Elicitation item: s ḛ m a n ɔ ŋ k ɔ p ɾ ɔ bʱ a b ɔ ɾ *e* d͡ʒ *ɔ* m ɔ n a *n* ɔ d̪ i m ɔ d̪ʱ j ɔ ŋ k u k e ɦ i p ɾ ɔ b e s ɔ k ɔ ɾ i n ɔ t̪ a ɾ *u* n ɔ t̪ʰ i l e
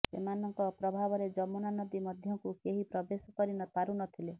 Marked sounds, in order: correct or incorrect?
correct, correct, correct, correct

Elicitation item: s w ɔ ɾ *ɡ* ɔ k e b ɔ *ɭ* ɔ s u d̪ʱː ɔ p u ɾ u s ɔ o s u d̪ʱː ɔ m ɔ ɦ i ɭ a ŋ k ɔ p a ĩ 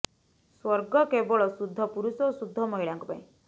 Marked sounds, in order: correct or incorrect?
correct, correct

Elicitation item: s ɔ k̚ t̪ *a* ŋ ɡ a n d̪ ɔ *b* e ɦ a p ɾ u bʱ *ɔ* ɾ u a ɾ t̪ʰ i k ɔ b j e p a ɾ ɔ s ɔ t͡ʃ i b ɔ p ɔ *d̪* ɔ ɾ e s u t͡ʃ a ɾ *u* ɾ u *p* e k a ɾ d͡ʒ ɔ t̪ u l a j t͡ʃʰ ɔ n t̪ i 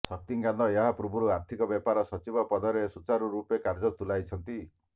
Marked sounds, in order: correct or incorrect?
incorrect: i, incorrect: none, incorrect: u, correct, correct, correct

